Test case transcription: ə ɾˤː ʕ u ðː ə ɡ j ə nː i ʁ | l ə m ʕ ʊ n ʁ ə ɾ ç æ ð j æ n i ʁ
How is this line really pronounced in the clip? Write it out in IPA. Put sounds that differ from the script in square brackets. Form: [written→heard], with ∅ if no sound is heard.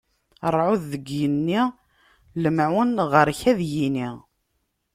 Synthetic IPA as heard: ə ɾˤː ʕ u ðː ə ɡ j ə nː i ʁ | l ə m ʕ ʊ n ʁ ə ɾ ç æ ð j [æ→i] n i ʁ

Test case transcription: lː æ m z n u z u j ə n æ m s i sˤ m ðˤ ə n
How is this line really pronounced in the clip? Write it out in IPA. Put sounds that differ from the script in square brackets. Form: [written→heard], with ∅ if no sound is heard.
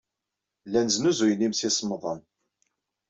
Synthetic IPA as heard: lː æ [m→n] z n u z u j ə n [æ→i] m s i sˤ m ðˤ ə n

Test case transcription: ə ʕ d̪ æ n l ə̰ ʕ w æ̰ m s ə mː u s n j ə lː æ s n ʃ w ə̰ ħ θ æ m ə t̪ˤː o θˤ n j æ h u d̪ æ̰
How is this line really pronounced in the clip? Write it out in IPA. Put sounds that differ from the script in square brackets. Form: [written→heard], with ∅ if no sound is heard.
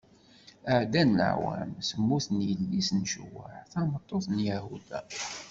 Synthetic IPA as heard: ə ʕ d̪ æ n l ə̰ ʕ w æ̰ m s ə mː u [s→θ] n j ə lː [æ→i] s n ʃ w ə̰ ħ θ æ m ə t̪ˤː o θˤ n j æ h u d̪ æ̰

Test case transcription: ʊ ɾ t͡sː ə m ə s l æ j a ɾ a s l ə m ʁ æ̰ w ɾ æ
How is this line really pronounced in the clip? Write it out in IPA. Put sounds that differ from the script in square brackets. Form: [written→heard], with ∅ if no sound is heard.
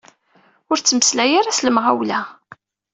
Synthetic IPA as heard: ʊ ɾ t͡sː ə m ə s l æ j a ɾ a s l ə m ʁ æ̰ w [ɾ→l] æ

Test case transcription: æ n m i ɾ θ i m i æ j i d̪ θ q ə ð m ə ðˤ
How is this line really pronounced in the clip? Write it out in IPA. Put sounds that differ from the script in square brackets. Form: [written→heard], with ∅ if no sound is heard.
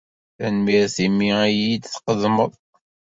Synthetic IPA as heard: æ n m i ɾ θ i m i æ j i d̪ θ q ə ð m ə ðˤ

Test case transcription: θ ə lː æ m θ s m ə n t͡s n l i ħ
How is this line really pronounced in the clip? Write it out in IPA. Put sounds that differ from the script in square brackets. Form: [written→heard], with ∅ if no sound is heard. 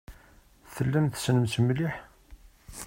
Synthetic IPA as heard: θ ə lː æ m θ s [m→n] ə [n→m] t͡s [n→m] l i ħ

